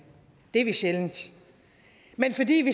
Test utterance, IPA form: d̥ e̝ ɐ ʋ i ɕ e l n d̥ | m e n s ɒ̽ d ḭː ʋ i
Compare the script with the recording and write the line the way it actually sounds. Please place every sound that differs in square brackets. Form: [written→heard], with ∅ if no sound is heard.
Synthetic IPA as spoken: d̥ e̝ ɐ ʋ i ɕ e l n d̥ | m e n [s→f] ɒ̽ d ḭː ʋ i